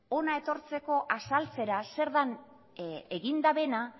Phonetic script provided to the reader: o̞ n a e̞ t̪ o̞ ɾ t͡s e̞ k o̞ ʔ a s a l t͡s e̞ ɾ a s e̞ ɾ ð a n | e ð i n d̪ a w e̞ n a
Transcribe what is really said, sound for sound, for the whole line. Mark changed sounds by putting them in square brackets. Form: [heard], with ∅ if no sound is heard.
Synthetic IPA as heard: o̞ n a e̞ t̪ o̞ ɾ t͡s e̞ k o̞ ʔ a s a l t͡s e̞ ɾ a s e̞ ɾ ð a n | e [ɣ] i n d̪ a [β] e̞ n a

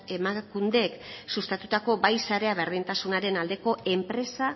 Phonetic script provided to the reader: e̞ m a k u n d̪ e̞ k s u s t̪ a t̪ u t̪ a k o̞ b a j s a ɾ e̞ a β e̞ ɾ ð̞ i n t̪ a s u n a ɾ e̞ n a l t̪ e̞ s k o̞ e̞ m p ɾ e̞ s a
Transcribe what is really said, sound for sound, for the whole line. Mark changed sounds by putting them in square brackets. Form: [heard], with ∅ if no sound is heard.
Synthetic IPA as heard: e̞ m a k u n d̪ e̞ k s u s t̪ a t̪ u t̪ a k o̞ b a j s a ɾ e̞ a β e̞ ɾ ð̞ i n t̪ a s u n a ɾ e̞ n a l [d̪] e̞ [∅] k o̞ e̞ m p ɾ e̞ s a

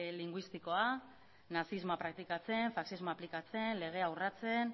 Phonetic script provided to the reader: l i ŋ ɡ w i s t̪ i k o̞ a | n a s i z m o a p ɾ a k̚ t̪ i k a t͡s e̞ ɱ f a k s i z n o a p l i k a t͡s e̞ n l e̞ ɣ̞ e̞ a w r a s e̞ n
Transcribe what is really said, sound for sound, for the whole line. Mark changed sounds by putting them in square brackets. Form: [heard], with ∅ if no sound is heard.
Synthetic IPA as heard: l i ŋ ɡ w i s t̪ i k o̞ a | n a s i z m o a p ɾ a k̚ t̪ i k a t͡s e̞ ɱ f a k s i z [m] o a p l i k a t͡s e̞ n l e̞ ɣ̞ e̞ a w r a [t͡s] e̞ n

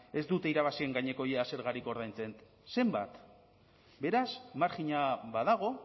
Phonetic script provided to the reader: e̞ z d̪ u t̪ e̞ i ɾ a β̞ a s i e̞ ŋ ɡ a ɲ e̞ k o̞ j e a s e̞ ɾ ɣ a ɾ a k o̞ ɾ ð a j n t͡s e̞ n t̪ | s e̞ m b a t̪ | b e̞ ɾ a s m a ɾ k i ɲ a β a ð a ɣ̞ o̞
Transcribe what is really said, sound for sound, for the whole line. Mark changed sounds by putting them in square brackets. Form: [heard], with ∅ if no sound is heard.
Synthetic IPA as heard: e̞ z d̪ u t̪ e̞ i ɾ a β̞ a s i e̞ ŋ ɡ a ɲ e̞ k o̞ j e a s e̞ ɾ ɣ a ɾ [i] k o̞ ɾ ð a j n t͡s e̞ n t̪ | s e̞ m b a t̪ | b e̞ ɾ a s m a ɾ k i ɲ a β a ð a ɣ̞ o̞

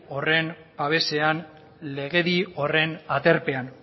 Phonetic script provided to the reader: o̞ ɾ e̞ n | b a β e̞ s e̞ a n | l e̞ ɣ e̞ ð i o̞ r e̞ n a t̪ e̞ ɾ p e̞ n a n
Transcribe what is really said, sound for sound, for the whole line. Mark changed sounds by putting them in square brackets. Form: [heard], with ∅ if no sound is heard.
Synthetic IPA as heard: o̞ [r] e̞ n | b a β e̞ s e̞ a n | l e̞ ɣ e̞ ð i o̞ r e̞ n a t̪ e̞ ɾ p e̞ [∅] a n

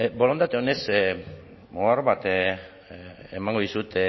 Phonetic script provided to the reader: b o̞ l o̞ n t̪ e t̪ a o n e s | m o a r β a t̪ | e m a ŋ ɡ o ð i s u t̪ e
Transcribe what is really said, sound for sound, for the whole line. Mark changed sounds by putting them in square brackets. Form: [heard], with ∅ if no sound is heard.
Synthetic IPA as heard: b o̞ l o̞ n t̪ [a] t̪ [e] o n e s | m o a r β a t̪ | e m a ŋ ɡ o ð i s u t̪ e

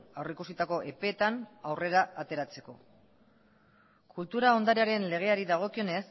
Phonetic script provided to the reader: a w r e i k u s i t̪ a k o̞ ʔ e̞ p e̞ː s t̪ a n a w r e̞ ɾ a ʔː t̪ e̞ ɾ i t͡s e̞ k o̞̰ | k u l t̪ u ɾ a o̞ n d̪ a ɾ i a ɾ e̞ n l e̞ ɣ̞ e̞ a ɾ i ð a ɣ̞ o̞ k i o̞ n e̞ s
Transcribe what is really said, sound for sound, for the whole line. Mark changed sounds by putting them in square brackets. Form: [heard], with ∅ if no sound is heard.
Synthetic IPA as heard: a w r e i k u s i t̪ a k o̞ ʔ e̞ p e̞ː [∅] t̪ a n a w r e̞ ɾ a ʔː t̪ e̞ ɾ [a] t͡s e̞ k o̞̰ | k u l t̪ u ɾ a o̞ n d̪ a ɾ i a ɾ e̞ n l e̞ ɣ̞ e̞ a ɾ i ð a ɣ̞ o̞ k i o̞ n e̞ s

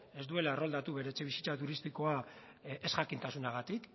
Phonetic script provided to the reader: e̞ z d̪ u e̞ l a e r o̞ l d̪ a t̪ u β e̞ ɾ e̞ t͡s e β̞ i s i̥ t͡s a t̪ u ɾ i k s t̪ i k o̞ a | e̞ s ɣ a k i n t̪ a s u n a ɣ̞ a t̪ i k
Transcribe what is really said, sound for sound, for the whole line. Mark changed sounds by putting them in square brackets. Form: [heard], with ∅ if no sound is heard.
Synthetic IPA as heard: e̞ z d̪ u e̞ l a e r o̞ l d̪ a t̪ u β e̞ ɾ e̞ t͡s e β̞ i s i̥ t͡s a t̪ u ɾ i [∅] s t̪ i k o̞ a | e̞ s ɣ a k i n t̪ a s u n a ɣ̞ a t̪ i k

